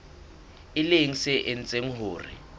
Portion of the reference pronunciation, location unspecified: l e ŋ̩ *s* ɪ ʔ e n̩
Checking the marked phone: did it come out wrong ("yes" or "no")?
no